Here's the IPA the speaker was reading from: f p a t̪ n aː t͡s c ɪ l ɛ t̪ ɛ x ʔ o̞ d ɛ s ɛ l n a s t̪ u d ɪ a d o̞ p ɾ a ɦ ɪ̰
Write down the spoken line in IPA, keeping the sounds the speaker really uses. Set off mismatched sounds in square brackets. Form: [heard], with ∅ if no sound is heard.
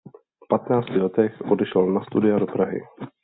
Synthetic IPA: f p a t̪ n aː t͡s c ɪ l ɛ t̪ ɛ x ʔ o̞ d ɛ [ʃ] ɛ l n a s t̪ u d ɪ a d o̞ p ɾ a ɦ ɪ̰